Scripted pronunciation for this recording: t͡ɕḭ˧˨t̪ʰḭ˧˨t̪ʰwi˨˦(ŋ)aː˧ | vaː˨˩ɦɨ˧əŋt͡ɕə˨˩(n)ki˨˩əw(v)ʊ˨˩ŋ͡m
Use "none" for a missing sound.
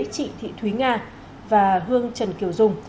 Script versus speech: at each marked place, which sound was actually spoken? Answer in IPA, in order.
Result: ŋ, n, z

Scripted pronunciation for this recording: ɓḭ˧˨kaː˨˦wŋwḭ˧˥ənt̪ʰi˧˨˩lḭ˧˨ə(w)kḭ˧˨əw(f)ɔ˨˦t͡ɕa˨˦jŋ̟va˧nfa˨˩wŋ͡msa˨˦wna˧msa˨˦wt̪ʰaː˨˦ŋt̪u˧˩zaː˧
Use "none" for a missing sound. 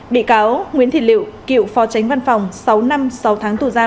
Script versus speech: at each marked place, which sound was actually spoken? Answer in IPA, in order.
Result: w, f

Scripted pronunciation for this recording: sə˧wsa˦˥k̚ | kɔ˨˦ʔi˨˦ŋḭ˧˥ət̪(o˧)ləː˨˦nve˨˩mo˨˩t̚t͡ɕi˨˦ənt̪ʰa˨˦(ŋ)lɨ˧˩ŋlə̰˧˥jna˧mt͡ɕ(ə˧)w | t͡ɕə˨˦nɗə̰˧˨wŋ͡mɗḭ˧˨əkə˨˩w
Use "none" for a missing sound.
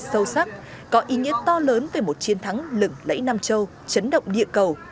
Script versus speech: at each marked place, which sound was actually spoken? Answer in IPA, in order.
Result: ɔ˧, ŋ, ə˧

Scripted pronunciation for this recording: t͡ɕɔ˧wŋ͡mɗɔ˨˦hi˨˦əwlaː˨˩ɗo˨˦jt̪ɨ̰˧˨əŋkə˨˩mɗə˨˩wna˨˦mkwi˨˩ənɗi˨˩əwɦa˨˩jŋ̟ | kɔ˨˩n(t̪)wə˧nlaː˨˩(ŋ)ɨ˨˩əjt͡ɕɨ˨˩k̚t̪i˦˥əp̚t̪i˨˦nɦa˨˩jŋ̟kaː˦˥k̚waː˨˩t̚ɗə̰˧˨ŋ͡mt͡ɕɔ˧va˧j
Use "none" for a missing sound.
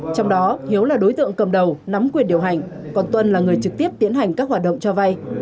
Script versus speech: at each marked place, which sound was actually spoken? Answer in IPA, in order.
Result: t̪, ŋ

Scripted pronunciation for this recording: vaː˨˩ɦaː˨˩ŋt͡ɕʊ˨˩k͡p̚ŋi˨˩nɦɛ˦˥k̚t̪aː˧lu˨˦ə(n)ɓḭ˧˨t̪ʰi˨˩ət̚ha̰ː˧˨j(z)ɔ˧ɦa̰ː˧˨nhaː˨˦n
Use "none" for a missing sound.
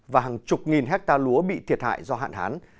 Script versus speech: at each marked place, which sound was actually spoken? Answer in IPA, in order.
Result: none, z

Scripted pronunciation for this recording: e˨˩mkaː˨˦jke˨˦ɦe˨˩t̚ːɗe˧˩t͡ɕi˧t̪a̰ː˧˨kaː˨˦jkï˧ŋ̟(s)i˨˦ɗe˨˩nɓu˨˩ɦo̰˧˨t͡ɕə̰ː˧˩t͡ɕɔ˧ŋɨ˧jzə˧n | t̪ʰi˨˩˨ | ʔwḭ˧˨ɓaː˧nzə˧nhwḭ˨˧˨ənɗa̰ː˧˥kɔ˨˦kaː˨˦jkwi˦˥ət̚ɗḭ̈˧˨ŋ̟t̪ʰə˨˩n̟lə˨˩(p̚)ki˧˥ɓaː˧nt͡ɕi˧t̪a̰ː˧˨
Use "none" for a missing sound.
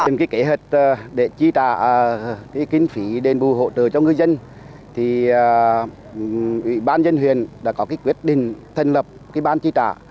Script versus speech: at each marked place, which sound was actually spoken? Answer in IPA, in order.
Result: f, p̚

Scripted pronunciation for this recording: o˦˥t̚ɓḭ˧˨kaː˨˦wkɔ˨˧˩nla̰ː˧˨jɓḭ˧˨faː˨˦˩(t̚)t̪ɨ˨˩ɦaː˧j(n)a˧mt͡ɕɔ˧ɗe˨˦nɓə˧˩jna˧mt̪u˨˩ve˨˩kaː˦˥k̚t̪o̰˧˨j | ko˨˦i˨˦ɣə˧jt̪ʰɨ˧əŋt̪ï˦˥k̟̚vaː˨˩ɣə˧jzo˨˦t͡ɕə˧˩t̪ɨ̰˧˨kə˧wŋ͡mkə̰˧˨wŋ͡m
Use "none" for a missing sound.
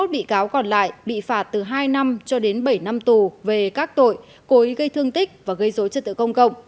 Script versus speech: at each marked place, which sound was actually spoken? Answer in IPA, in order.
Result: t̚, n

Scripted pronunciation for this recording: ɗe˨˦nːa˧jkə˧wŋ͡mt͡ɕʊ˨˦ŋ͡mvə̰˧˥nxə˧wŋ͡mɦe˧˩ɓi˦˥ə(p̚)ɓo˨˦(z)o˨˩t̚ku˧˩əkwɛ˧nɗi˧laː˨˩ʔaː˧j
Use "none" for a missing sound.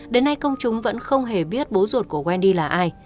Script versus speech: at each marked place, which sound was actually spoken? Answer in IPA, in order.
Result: t̚, z

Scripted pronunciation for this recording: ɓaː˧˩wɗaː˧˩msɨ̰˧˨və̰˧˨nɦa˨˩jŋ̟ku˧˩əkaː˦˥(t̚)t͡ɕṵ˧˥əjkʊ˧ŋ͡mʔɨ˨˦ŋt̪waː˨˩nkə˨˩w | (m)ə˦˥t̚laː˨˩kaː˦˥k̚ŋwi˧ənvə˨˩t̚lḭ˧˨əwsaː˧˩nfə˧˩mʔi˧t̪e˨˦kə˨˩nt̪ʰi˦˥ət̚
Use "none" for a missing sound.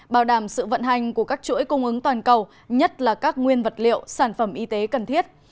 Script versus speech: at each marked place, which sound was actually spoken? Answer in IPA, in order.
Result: k̚, ɲ

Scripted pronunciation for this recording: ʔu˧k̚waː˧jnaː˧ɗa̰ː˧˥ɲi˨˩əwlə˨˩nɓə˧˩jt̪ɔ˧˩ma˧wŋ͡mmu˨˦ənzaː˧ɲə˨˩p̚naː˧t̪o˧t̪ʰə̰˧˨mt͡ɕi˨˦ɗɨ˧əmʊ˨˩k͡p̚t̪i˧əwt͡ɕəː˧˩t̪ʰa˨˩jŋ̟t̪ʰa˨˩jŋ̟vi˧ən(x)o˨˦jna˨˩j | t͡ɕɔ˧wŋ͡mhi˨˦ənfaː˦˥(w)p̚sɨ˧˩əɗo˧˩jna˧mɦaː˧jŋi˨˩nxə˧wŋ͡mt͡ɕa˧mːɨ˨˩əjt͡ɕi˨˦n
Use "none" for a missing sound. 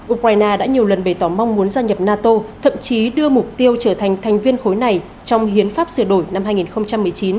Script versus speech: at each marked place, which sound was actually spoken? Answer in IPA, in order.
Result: x, none

